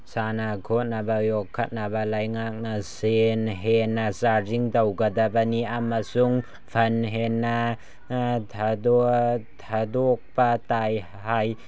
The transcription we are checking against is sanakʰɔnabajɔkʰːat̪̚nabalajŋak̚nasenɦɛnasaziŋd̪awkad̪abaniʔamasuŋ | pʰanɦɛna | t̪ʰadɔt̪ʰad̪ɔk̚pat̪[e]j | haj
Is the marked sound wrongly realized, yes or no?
yes